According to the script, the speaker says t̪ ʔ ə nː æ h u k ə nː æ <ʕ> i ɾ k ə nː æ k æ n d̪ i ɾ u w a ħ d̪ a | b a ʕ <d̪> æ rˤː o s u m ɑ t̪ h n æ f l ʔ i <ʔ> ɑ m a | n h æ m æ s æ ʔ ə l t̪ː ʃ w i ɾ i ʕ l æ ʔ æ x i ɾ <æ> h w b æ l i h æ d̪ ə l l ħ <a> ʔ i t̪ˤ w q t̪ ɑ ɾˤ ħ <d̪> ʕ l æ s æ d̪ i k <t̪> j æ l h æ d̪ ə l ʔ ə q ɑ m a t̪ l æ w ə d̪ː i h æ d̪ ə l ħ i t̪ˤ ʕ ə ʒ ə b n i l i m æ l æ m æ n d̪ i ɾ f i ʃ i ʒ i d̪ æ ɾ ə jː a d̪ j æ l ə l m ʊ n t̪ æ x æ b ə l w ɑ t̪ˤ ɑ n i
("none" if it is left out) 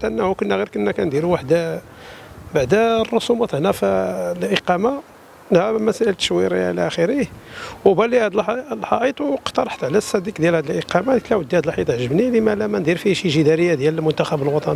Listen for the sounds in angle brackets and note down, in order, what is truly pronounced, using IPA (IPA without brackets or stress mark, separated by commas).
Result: ɣ, d̪, q, i, ɑ, t̪, d̪